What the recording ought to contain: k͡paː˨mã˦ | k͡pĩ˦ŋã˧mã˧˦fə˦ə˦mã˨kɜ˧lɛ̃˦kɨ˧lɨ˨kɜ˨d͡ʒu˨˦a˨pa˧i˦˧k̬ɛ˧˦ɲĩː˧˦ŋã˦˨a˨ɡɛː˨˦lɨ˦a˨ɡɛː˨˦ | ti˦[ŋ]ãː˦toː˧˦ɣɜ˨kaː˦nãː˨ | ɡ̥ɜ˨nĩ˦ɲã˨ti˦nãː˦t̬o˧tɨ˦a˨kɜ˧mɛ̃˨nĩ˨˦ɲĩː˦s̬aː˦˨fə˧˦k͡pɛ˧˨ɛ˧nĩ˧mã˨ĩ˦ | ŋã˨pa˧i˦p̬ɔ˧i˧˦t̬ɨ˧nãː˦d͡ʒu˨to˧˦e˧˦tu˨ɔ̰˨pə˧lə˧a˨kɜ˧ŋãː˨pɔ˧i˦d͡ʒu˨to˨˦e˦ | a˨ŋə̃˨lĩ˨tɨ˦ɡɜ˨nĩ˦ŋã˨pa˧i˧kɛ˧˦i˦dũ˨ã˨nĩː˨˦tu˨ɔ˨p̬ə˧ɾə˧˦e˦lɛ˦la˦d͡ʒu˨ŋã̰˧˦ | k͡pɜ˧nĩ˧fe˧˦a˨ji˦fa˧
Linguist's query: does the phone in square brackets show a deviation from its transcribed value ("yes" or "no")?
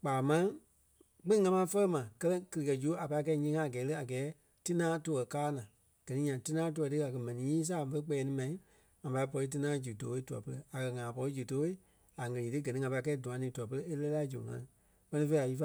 yes